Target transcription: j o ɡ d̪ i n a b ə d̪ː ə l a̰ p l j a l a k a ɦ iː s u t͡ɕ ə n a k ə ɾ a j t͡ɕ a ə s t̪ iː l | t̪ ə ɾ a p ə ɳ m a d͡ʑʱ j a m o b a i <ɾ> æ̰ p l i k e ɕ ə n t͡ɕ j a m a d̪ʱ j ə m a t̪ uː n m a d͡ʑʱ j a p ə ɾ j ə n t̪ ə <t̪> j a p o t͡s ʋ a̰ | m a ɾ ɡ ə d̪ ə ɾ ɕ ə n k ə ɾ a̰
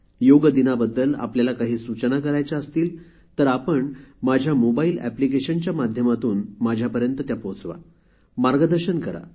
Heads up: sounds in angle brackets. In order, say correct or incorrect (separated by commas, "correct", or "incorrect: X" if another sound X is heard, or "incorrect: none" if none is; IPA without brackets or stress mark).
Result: incorrect: l, correct